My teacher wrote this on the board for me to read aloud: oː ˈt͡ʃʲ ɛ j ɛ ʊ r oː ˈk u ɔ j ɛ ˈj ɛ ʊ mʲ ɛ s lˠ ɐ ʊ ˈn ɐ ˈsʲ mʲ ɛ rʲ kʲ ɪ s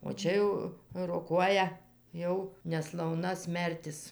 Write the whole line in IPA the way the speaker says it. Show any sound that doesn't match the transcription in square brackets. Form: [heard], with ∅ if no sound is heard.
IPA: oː ˈt͡ʃʲ ɛ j ɛ ʊ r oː ˈk u ɔ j ɛ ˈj ɛ ʊ [nʲ] ɛ s lˠ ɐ ʊ ˈn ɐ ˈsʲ mʲ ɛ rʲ [tʲ] ɪ s